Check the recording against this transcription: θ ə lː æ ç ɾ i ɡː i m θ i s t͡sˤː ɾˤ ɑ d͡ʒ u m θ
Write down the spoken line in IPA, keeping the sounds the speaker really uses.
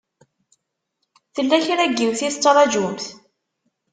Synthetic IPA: θ ə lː æ ç ɾ æ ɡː i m θ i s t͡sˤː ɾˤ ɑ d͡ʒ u m θ